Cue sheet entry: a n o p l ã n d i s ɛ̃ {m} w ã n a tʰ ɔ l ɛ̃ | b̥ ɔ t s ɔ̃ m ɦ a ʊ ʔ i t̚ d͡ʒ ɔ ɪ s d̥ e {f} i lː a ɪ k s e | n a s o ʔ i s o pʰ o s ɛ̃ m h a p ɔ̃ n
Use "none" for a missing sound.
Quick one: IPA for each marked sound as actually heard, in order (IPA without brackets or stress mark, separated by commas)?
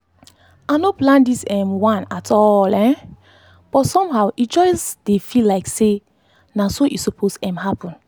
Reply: m, f